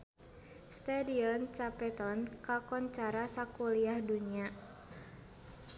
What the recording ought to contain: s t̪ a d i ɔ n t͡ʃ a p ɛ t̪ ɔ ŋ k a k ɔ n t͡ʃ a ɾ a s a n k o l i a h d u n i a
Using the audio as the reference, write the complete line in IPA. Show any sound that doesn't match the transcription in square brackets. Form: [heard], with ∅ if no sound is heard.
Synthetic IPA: s t̪ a d i ɔ n t͡ʃ a p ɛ t̪ ɔ [n] k a k ɔ n t͡ʃ a ɾ a s a [∅] k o l i a h d u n i a